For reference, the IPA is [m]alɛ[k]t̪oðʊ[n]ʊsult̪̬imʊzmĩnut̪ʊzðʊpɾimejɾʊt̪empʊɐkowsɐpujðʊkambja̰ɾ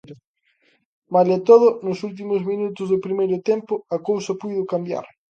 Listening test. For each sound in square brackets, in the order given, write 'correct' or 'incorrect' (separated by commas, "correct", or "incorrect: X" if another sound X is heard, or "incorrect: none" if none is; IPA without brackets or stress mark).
correct, incorrect: none, correct